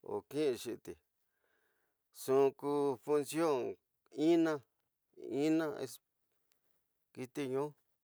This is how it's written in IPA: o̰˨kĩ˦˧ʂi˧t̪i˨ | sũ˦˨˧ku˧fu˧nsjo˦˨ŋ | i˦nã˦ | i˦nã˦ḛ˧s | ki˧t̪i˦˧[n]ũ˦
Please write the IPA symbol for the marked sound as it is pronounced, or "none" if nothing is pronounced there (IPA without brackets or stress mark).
ɲ